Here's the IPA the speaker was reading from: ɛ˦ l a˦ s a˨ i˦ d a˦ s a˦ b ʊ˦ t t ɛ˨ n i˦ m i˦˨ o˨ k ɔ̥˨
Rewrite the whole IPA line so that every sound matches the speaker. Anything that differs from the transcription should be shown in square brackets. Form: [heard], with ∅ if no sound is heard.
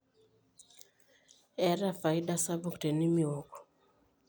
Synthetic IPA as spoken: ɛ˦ [ɾ] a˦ [f] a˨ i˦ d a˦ s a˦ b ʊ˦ [k] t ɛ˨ n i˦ m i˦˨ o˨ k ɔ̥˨